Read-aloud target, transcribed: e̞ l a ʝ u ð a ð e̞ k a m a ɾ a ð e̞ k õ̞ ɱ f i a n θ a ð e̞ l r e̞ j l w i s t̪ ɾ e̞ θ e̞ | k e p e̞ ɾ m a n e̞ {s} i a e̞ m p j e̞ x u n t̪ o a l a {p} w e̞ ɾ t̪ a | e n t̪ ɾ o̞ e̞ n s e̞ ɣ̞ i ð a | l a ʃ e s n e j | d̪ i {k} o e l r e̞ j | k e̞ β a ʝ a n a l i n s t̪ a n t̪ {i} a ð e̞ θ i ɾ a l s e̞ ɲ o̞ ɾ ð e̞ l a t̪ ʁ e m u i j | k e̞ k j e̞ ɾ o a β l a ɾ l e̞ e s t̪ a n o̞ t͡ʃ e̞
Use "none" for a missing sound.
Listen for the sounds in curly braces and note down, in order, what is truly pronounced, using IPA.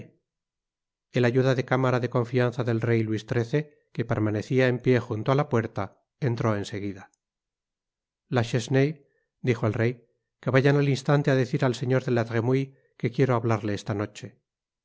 θ, p, x, e

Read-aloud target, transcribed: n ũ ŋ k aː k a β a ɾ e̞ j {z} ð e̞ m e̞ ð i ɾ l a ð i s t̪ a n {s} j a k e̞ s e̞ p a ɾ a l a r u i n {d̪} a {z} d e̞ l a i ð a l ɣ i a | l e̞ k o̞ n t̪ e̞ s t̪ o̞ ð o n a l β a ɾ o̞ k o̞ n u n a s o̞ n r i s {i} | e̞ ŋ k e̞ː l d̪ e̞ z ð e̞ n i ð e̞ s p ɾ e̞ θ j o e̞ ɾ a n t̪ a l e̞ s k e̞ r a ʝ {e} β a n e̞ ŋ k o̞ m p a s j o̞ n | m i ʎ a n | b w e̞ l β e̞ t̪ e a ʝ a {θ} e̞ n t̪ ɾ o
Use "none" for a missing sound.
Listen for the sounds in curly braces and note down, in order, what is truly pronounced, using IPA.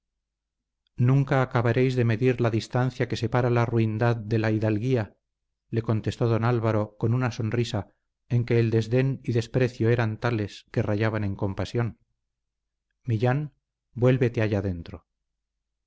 z, θ, d̪, ð, a, a, ð

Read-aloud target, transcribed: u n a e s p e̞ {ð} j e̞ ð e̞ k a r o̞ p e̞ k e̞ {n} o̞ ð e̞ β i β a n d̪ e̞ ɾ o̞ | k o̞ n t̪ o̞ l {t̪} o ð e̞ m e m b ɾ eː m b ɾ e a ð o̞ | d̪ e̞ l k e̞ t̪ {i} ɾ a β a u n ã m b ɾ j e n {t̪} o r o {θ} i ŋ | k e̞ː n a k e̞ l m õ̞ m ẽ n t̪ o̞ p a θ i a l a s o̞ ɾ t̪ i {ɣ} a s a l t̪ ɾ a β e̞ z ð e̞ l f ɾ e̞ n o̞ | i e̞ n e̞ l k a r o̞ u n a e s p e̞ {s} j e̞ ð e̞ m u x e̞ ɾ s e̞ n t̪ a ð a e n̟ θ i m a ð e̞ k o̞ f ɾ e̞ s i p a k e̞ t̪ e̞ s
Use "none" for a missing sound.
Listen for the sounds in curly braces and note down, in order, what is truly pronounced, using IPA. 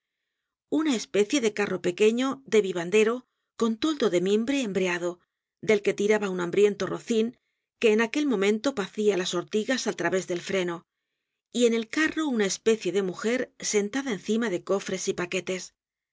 θ, ɲ, d̪, i, t̪, θ, ɣ, θ

